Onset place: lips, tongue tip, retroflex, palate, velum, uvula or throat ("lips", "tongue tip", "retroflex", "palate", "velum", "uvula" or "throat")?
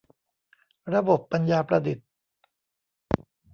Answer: tongue tip